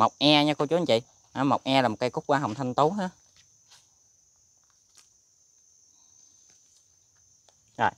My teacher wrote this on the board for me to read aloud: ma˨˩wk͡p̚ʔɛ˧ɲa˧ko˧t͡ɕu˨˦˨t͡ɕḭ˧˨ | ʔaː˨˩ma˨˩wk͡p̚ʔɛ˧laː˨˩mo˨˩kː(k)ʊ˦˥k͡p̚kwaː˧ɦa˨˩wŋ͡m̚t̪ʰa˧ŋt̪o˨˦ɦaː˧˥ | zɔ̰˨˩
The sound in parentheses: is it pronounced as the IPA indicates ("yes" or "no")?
yes